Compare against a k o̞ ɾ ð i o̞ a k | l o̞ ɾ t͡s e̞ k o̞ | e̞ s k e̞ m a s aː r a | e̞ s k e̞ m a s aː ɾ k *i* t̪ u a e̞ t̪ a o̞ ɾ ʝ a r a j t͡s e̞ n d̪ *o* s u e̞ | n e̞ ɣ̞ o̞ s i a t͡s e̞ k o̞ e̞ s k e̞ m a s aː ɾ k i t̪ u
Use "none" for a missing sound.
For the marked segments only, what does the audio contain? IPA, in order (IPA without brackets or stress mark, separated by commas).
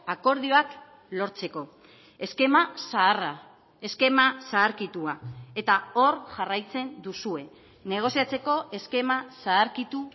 i, u